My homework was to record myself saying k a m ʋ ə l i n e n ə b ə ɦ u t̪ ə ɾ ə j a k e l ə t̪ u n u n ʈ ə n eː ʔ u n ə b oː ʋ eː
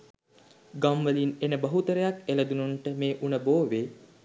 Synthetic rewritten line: ɡ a m ʋ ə l i n e n ə b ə ɦ u t̪ ə ɾ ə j a k e l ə d̪ u n u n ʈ ə m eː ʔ u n ə b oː ʋ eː